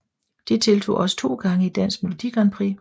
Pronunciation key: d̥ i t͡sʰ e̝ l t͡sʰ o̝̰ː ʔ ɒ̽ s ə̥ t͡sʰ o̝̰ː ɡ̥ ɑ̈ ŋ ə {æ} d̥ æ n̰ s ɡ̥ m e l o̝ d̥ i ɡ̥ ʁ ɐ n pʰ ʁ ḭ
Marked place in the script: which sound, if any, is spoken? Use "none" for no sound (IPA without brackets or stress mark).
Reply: i